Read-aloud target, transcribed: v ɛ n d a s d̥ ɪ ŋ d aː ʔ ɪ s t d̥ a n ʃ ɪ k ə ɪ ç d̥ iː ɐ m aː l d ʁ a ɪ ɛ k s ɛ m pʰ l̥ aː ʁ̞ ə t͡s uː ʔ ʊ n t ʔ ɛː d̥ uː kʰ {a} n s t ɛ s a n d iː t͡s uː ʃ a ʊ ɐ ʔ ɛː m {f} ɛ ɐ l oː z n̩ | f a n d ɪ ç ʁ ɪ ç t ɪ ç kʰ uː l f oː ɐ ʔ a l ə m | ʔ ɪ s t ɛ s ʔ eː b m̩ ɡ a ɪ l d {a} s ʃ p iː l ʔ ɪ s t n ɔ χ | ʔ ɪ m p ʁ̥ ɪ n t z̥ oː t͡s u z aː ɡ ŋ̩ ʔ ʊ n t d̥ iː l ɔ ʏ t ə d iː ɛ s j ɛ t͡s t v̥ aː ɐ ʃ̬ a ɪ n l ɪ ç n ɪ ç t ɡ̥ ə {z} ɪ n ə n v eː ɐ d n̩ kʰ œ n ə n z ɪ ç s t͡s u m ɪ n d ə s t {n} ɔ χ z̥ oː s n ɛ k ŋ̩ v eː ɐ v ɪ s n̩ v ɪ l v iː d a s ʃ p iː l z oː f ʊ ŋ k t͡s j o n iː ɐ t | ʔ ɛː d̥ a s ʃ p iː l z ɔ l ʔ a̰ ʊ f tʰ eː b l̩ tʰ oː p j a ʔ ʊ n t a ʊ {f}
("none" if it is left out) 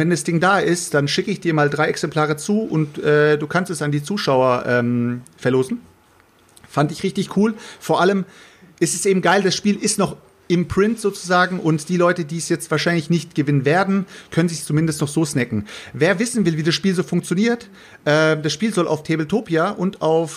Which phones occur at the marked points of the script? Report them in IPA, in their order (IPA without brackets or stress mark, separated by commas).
a, f, a, v, n, f